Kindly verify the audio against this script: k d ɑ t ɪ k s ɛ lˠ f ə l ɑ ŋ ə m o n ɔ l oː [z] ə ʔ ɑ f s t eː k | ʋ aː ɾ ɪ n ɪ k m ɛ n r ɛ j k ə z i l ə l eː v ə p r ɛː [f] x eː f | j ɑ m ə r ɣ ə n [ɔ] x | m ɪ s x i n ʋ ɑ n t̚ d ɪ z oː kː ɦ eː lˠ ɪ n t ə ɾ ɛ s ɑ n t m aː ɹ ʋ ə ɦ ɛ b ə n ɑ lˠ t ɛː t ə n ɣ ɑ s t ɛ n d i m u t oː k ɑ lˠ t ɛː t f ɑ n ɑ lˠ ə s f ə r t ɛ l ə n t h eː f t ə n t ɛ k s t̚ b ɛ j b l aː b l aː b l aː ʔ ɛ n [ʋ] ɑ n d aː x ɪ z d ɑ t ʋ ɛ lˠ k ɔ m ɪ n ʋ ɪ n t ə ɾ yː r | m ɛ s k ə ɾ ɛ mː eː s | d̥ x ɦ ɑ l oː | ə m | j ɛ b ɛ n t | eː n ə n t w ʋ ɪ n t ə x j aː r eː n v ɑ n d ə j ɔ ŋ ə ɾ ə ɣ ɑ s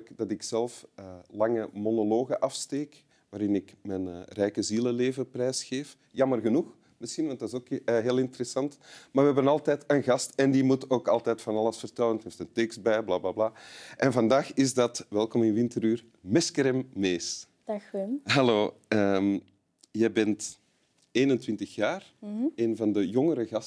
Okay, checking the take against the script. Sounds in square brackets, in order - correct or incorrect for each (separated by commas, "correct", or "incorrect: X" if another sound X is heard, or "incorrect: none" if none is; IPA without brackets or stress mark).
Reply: incorrect: ɣ, incorrect: s, incorrect: u, incorrect: v